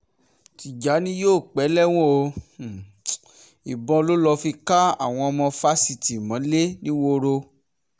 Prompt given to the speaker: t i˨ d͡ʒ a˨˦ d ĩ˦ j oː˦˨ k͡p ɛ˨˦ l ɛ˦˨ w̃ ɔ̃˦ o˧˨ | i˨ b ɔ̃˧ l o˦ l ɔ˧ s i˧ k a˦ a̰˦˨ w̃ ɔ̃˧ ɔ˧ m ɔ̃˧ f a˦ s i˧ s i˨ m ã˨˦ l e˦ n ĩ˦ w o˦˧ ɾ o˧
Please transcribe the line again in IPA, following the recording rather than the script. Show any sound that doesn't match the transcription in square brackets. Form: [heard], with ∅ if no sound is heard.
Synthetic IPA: t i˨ d͡ʒ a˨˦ [n] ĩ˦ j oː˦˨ k͡p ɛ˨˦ l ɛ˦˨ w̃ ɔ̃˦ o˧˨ | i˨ b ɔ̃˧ l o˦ l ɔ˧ [f] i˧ k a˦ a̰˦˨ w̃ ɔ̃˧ ɔ˧ m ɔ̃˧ f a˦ s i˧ [t] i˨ m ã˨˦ l e˦ n ĩ˦ w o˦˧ ɾ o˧